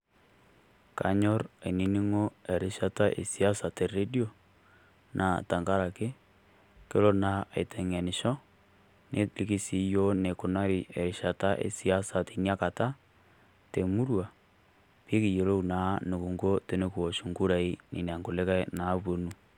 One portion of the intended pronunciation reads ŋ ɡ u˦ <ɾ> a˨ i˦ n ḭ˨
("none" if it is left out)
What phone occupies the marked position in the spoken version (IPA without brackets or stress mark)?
ɾ